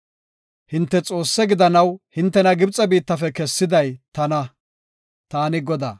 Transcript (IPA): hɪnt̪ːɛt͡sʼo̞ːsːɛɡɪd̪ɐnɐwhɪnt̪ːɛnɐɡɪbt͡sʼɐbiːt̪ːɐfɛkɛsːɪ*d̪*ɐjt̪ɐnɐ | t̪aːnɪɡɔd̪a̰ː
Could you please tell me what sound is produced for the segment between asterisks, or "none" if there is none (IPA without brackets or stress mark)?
d̪